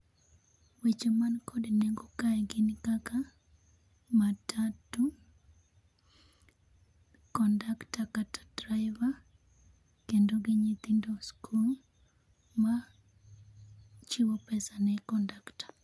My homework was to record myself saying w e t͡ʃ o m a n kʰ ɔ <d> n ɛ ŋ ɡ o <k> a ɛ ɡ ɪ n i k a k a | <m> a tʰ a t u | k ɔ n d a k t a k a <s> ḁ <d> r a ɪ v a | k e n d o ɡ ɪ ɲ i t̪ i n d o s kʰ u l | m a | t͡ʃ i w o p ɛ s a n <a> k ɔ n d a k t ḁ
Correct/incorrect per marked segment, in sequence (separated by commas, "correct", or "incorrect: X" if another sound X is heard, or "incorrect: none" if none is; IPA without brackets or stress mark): correct, correct, correct, incorrect: t, correct, incorrect: ɛ